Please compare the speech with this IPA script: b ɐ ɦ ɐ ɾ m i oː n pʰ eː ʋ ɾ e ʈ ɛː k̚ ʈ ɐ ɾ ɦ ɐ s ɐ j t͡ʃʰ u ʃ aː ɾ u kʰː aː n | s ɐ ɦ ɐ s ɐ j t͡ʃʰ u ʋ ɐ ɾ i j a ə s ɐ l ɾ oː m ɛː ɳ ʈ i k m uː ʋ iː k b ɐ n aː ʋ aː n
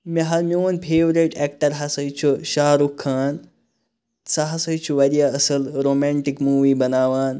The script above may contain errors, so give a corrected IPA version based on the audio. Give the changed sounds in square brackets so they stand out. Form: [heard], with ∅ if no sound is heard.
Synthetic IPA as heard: [m] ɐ ɦ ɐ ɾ m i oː n pʰ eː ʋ ɾ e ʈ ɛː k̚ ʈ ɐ ɾ ɦ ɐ s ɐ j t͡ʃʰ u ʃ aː ɾ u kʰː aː n | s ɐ ɦ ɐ s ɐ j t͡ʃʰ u ʋ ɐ ɾ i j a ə s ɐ l ɾ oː m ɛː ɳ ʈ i k m uː ʋ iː [∅] b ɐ n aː ʋ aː n